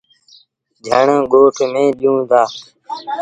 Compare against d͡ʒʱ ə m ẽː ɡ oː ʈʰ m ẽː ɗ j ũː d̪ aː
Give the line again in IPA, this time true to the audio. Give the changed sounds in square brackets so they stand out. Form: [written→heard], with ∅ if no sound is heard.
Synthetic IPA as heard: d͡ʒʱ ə [m→ɳ] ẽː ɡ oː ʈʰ m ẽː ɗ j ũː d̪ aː